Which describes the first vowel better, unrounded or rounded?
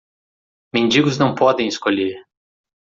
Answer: unrounded